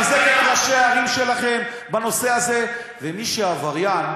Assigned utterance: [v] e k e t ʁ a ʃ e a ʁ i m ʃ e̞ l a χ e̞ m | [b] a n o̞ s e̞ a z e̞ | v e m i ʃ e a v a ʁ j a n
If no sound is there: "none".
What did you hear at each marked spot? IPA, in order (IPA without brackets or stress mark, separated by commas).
z, b